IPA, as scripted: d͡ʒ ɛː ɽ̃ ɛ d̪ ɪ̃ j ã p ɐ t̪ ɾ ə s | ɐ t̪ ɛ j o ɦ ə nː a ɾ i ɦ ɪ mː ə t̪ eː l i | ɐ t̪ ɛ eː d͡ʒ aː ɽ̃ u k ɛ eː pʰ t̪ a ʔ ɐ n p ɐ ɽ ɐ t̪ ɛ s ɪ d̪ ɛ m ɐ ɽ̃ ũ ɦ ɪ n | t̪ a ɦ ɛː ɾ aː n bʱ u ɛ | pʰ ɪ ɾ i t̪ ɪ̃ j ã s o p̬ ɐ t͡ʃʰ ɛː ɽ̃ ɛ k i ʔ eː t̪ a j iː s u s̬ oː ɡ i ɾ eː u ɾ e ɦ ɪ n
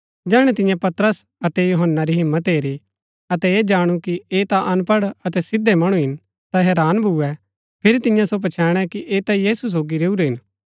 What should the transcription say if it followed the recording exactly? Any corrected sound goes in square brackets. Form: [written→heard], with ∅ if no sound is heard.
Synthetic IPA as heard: d͡ʒ ɛː ɽ̃ ɛ [d̪→t̪] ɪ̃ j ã p ɐ t̪ ɾ ə s | ɐ t̪ ɛ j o ɦ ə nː a ɾ i ɦ ɪ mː ə t̪ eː [l→ɾ] i | ɐ t̪ ɛ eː d͡ʒ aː ɽ̃ u k [ɛ→i] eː [pʰ→∅] t̪ a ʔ ɐ n p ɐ ɽ ɐ t̪ ɛ s ɪ d̪ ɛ m ɐ ɽ̃ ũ ɦ ɪ n | t̪ a ɦ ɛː ɾ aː n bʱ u ɛ | pʰ ɪ ɾ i t̪ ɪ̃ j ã s o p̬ ɐ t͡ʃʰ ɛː ɽ̃ ɛ k i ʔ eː t̪ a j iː s u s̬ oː ɡ i ɾ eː u ɾ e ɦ ɪ n